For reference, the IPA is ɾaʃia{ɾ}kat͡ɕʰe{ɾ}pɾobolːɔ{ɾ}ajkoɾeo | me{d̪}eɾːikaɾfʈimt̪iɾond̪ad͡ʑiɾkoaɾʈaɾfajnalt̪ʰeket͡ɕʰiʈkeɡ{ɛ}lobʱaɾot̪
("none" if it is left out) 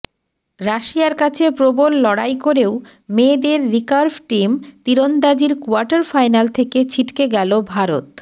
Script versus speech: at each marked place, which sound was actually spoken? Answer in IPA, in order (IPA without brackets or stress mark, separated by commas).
ɾ, none, ɽ, d̪, ɛ